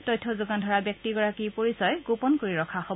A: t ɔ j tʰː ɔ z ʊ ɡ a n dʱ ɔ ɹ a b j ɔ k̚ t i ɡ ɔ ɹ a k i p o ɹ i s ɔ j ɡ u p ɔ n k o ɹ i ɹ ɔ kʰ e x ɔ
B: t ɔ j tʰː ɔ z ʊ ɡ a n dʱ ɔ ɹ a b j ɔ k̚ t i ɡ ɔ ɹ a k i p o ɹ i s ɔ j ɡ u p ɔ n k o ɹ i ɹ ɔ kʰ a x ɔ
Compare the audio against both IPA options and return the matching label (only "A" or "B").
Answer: B